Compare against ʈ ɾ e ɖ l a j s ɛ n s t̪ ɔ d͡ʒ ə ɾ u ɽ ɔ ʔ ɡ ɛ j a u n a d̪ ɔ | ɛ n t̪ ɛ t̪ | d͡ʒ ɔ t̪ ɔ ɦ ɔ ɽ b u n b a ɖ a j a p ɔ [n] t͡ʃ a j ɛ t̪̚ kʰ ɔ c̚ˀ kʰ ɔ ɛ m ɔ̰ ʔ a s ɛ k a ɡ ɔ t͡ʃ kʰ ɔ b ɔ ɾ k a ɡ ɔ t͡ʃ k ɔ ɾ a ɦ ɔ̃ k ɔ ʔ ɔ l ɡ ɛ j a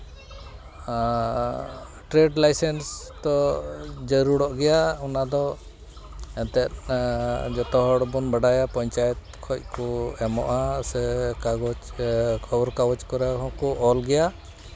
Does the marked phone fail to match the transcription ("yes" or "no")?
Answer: yes